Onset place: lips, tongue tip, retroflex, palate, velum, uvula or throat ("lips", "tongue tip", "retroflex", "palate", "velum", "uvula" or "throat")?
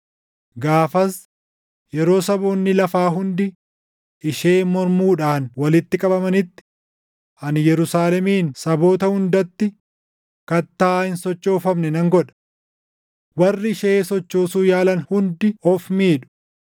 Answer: velum